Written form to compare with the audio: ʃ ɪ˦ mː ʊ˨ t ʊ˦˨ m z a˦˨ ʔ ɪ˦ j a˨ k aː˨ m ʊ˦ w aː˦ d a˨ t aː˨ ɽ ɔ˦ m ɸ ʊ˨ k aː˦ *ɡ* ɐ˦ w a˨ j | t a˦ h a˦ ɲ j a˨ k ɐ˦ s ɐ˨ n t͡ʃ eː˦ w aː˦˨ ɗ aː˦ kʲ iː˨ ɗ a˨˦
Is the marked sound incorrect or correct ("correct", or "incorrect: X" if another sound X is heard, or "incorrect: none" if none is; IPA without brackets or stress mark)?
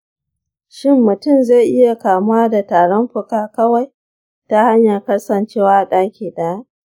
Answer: incorrect: k